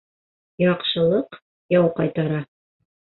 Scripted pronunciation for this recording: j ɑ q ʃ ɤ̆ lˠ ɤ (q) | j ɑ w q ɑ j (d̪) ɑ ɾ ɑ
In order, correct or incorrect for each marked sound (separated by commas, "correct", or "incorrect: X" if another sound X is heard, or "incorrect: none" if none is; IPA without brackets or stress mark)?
correct, incorrect: t̪